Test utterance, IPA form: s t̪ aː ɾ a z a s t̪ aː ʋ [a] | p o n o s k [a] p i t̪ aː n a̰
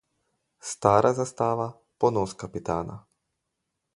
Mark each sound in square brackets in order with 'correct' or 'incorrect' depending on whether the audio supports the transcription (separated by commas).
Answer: correct, correct